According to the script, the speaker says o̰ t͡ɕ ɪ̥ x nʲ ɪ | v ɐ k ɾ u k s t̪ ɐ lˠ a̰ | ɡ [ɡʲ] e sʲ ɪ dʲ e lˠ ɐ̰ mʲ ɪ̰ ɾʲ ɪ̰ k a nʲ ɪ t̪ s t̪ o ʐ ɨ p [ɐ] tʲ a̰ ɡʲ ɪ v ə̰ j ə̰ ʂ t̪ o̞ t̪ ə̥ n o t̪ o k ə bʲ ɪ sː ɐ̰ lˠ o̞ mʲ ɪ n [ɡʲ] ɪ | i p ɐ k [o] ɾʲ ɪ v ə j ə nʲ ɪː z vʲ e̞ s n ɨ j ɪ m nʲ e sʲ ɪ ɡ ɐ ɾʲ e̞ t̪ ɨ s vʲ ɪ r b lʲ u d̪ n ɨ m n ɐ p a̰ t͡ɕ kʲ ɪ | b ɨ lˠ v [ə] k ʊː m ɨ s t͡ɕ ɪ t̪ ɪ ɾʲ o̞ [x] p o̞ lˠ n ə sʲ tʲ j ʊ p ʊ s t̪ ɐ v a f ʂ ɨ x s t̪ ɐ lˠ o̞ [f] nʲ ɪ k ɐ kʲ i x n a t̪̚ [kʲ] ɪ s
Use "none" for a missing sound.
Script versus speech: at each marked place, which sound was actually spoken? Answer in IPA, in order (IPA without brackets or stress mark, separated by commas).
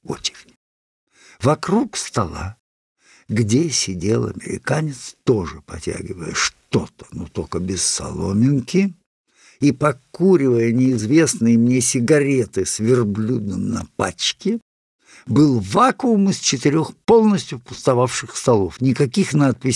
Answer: dʲ, ɐ, kʲ, u, a, x, f, pʲ